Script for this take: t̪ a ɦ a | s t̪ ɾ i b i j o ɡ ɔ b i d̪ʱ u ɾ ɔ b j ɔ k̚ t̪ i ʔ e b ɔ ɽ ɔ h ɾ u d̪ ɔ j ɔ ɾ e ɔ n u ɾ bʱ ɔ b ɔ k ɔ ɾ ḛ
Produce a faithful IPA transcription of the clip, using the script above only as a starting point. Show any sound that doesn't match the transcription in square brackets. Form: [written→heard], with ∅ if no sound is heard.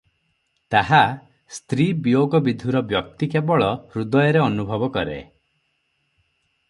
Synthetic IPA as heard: t̪ a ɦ a | s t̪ ɾ i b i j o ɡ ɔ b i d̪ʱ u ɾ ɔ b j ɔ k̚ t̪ i [ʔ→k] e b ɔ [ɽ→ɭ] ɔ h ɾ u d̪ ɔ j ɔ ɾ e ɔ n u [ɾ→∅] bʱ ɔ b ɔ k ɔ ɾ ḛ